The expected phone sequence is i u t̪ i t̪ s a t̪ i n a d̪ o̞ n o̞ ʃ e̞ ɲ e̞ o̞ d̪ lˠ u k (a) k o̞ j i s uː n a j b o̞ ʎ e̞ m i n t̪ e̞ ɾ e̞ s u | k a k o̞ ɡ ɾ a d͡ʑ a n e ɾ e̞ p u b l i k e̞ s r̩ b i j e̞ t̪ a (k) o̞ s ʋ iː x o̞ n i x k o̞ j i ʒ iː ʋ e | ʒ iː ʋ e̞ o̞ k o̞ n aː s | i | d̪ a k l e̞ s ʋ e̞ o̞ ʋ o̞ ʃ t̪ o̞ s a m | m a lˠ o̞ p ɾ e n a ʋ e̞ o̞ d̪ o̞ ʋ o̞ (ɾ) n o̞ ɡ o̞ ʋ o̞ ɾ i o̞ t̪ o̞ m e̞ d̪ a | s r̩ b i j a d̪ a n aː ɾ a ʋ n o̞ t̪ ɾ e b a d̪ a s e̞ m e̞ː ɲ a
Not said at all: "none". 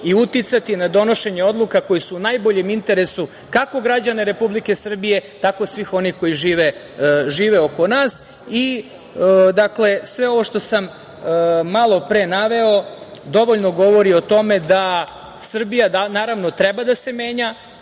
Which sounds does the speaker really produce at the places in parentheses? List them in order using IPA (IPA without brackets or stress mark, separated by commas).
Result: a, k, ʎ